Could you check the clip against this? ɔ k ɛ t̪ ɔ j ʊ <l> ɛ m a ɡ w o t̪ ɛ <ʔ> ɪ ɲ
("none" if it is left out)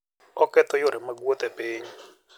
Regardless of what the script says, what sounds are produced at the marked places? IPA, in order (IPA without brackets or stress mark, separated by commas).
ɾ, p